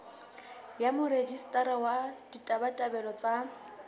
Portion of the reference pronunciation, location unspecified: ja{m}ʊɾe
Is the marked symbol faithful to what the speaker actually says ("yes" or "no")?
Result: yes